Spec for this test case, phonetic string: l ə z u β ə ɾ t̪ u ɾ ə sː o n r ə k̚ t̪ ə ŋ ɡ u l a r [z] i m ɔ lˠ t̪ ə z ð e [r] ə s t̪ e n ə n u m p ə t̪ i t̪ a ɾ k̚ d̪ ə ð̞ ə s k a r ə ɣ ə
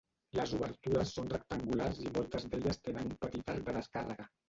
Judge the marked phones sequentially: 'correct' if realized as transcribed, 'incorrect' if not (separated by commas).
correct, incorrect